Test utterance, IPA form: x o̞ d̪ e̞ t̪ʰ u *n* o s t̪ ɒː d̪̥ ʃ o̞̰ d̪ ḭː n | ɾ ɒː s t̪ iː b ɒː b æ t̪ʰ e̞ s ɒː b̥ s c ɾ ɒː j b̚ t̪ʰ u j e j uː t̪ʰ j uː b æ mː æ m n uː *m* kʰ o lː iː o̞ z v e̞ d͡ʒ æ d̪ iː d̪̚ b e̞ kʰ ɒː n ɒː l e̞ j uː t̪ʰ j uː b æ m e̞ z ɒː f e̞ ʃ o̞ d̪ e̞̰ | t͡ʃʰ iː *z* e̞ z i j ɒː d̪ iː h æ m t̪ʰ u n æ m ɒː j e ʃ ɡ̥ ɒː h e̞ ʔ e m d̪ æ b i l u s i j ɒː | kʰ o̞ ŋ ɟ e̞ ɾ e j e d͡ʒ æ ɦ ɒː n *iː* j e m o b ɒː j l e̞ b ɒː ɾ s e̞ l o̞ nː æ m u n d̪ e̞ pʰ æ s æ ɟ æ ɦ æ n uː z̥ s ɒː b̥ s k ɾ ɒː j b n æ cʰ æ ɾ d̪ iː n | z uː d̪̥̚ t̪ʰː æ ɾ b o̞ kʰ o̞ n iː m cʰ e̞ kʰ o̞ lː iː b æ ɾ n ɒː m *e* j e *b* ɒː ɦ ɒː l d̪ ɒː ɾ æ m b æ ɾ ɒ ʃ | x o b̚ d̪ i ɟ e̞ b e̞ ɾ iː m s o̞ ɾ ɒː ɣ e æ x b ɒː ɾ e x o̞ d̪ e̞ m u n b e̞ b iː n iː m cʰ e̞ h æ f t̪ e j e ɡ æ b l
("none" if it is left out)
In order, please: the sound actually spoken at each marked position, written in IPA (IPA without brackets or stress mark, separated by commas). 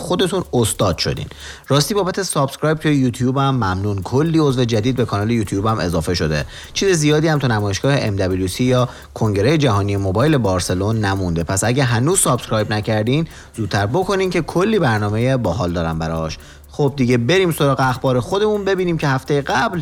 n, n, z, i, e, b